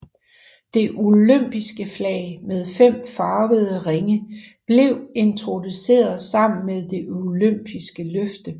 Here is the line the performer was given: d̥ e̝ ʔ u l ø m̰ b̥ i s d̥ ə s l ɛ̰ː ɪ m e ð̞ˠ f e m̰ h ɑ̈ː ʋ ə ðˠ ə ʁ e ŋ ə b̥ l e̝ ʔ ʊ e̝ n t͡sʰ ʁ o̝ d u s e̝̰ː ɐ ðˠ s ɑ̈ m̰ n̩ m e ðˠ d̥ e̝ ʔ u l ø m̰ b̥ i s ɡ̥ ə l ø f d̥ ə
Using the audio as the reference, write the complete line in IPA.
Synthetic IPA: d̥ e̝ ʔ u l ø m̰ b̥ i s ɡ̥ ə f l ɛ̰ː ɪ m e ð̞ˠ f e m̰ f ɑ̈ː ʋ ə ðˠ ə ʁ e ŋ ə b̥ l e̝ ʊ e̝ n t͡sʰ ʁ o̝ d u s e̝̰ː ɐ ðˠ s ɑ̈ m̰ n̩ m e ðˠ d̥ e̝ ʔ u l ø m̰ b̥ i s ɡ̥ ə l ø f d̥ ə